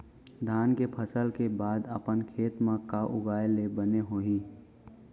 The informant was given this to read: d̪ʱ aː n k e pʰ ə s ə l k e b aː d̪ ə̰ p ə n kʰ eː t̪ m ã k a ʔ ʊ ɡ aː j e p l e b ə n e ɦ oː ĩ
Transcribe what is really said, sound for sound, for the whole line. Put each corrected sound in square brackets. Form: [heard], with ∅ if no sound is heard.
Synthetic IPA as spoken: d̪ʱ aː n k e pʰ ə s ə l k e b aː d̪ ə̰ p ə n kʰ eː t̪ m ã k a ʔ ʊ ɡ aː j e [∅] l e b ə n e ɦ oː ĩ